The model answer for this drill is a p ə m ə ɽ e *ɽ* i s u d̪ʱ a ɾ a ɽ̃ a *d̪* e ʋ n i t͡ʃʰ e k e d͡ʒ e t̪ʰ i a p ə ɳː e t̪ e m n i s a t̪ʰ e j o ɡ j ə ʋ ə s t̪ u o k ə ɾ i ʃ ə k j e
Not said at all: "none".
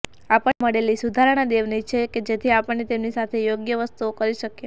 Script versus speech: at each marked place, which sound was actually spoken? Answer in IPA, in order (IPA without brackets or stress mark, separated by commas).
l, d̪